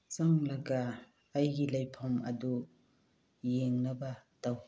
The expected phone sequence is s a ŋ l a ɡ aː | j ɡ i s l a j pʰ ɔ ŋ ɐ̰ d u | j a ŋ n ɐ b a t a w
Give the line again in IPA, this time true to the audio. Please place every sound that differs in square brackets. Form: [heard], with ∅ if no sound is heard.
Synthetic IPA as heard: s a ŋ l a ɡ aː | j ɡ i [∅] l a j pʰ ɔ [m] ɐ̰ d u | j [e] ŋ n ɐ b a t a w